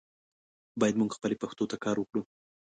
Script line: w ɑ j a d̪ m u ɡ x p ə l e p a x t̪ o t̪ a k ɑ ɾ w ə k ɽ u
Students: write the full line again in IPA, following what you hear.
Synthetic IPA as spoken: b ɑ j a d̪ m u ɡ x p ə l e p a x t̪ o t̪ a k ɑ ɾ w ə k ɽ u

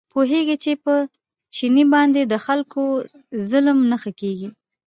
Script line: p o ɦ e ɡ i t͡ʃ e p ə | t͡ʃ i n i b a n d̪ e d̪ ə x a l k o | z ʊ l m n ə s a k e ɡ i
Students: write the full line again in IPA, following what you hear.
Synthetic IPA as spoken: p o ɦ e ɡ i t͡ʃ e p ə | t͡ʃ i n i b ɑ n d̪ e d̪ ə x a l k o | z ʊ l m n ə x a k e ɡ i

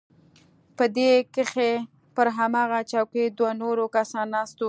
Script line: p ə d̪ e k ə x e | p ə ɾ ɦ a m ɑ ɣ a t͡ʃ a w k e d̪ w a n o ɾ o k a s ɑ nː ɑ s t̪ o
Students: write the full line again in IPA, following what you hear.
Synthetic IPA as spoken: p ə d̪ e k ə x e | p ə ɾ ɦ a m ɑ ɣ a t͡ʃ a w k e d̪ w a n o ɾ o k a s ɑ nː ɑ s t̪ o

